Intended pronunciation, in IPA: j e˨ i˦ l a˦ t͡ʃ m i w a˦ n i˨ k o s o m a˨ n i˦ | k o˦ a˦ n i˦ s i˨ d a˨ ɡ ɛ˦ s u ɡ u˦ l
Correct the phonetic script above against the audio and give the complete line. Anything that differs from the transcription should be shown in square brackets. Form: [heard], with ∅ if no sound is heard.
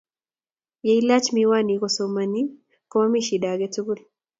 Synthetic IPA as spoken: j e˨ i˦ l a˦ t͡ʃ m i w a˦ n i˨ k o s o m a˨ n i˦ | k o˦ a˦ [m] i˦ [ʃ] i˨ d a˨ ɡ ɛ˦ [t] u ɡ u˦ l